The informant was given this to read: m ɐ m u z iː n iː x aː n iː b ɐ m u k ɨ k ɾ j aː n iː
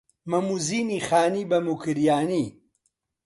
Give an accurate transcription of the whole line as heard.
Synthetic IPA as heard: m ɐ m u z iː n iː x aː n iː b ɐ m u k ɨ ɾ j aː n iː